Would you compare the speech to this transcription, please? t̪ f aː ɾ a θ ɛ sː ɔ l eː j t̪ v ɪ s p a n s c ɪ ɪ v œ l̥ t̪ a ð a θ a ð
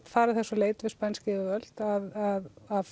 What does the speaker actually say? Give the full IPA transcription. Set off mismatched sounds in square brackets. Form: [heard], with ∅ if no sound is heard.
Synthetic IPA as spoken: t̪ f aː ɾ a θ ɛ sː ɔ l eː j t̪ v ɪ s p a n s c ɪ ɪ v œ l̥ t̪ a ð a [ð] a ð